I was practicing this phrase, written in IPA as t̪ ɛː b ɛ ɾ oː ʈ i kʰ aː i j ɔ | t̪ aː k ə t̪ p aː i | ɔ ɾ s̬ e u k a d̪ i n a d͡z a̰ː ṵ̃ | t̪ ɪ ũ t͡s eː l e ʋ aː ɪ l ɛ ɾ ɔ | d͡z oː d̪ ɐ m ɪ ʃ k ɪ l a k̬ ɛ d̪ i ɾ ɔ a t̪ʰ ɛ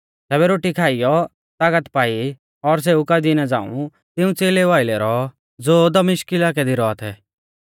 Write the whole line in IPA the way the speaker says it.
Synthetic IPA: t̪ ɛː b ɛ ɾ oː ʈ i kʰ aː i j ɔ | t̪ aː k ə t̪ p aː i | ɔ ɾ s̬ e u k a d̪ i n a d͡z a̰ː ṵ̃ | t̪ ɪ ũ t͡s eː l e ʋ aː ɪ l ɛ ɾ ɔ | d͡z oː d̪ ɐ m ɪ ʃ k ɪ l a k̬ ɛ d̪ i ɾ ɔ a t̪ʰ ɛ